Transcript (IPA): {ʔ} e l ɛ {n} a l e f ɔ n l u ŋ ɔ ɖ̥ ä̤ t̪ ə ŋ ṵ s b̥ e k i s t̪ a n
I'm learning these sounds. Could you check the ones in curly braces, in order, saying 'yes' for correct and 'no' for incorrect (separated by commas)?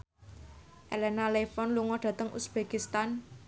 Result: yes, yes